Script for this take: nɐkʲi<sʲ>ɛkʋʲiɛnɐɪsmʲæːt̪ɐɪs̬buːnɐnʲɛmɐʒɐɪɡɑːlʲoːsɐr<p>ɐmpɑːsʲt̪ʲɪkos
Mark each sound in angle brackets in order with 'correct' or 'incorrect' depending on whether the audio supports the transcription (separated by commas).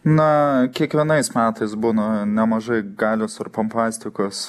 incorrect, correct